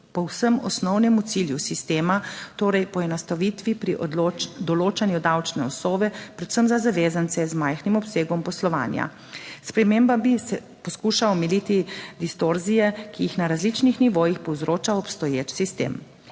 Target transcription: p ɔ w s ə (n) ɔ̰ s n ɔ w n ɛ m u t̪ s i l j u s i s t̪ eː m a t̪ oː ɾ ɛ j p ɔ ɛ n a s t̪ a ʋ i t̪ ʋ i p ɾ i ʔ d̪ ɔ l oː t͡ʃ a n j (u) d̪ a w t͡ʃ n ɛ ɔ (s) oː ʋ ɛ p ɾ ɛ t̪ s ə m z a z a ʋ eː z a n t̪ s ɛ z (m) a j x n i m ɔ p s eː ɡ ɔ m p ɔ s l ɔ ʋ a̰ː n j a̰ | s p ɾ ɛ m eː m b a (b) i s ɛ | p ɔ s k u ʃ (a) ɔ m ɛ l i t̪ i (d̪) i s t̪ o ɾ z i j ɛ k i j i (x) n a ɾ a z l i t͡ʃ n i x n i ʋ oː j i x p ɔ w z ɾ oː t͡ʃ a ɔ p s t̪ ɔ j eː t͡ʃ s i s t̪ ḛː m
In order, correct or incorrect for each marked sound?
incorrect: m, correct, correct, correct, correct, correct, correct, correct

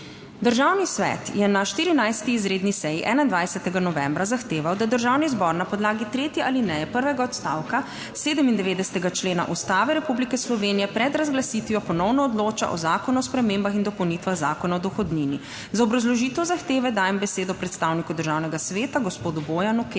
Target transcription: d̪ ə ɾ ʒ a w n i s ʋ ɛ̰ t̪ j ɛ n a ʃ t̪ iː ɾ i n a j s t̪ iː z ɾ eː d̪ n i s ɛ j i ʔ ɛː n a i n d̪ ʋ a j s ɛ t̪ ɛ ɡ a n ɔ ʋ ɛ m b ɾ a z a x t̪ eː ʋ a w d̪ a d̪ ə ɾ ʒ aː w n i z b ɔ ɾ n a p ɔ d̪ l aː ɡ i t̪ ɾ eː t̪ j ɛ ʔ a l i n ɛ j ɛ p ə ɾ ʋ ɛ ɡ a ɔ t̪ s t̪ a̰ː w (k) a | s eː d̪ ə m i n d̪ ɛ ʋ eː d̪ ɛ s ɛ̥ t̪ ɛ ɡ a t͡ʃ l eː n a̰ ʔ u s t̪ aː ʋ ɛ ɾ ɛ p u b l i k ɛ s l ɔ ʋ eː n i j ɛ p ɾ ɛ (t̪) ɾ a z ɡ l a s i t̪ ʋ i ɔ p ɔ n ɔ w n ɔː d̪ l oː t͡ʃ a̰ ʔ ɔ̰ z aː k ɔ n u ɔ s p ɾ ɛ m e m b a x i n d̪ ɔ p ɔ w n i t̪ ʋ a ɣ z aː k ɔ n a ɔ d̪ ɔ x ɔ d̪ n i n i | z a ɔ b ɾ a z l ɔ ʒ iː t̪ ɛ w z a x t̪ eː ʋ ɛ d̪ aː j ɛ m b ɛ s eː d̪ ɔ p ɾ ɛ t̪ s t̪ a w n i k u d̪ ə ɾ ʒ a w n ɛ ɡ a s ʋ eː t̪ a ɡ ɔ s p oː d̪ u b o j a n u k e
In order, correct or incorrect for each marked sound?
correct, incorrect: d̪

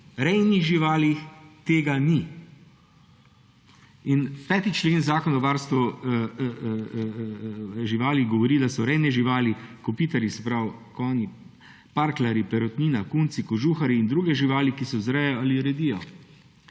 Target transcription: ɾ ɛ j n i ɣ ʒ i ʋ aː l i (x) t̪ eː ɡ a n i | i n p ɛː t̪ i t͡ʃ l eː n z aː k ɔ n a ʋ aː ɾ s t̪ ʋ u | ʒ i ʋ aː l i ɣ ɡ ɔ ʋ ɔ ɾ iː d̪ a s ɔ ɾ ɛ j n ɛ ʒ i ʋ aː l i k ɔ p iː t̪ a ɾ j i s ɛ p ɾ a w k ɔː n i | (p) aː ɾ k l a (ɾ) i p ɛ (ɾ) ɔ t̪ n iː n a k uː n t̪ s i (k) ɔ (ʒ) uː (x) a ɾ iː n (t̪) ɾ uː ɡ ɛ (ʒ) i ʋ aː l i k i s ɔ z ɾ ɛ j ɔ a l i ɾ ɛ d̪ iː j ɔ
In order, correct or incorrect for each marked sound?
correct, correct, correct, correct, correct, correct, correct, incorrect: d̪, correct

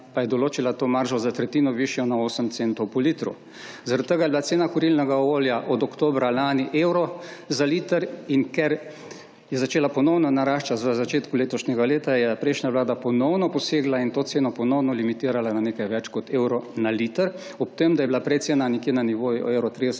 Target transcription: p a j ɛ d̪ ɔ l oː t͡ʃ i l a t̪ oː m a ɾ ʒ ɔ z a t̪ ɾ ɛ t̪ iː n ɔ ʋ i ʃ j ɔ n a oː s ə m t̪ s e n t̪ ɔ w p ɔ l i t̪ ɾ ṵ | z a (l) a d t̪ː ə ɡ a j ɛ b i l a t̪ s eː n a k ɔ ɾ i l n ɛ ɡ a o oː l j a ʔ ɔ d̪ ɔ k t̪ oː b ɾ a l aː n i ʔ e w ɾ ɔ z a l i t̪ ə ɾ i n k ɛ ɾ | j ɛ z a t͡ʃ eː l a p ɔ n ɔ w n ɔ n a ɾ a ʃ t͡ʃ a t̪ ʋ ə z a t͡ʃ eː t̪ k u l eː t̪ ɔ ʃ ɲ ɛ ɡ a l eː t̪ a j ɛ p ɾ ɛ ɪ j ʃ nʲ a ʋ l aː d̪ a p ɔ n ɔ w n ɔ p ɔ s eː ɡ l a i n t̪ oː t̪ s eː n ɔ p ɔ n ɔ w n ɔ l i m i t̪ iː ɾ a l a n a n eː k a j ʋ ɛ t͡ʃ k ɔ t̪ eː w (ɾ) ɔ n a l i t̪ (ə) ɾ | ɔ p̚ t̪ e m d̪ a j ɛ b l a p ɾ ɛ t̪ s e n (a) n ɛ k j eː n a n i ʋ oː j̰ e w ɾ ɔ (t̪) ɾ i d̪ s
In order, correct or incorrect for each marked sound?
incorrect: ɾ, correct, correct, correct, correct

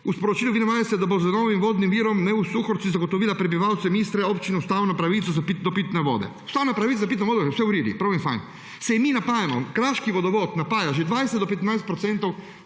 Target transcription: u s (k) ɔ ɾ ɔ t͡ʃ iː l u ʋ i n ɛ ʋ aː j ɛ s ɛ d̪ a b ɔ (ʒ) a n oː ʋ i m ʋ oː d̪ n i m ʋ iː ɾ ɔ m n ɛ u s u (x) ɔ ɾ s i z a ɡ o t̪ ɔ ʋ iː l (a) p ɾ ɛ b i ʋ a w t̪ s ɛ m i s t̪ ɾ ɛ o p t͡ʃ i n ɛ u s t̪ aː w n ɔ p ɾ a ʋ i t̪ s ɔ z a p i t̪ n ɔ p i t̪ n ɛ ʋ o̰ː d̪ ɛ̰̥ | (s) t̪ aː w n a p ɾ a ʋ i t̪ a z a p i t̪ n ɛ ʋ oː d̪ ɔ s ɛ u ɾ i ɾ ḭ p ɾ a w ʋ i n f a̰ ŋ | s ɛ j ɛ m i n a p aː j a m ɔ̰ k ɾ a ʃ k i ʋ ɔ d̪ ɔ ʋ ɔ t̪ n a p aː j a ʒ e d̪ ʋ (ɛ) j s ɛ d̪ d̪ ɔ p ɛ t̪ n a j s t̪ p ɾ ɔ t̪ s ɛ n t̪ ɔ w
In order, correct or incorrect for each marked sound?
incorrect: p, incorrect: z, correct, correct, correct, incorrect: a

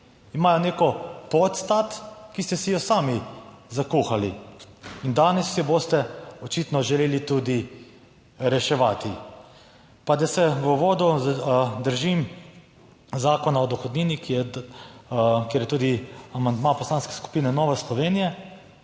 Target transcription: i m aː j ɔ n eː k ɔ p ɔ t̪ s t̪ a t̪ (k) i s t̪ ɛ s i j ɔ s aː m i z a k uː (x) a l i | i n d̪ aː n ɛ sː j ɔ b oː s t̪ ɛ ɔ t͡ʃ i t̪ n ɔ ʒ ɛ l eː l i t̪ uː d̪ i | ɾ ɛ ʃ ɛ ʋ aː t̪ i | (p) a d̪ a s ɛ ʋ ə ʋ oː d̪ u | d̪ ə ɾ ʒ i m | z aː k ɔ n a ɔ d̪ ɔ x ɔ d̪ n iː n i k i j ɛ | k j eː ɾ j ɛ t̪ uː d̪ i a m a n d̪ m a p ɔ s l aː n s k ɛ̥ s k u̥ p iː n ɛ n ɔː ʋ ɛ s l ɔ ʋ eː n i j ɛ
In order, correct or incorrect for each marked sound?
correct, correct, correct

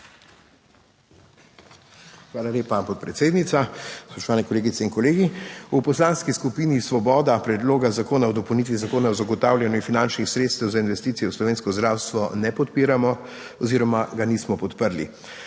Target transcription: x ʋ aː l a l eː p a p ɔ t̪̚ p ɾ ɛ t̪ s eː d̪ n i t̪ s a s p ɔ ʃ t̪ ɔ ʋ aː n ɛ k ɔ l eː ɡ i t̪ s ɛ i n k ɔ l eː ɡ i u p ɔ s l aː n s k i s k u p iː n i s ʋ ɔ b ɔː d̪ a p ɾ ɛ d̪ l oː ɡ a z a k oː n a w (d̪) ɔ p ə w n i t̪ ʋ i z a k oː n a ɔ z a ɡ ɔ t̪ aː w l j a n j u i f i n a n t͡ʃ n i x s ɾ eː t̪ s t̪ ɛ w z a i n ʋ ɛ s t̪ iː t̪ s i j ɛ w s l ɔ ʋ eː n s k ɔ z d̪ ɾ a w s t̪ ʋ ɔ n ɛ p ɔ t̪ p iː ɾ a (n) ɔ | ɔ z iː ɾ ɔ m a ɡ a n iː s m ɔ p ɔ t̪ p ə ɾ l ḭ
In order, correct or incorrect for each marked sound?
correct, incorrect: m

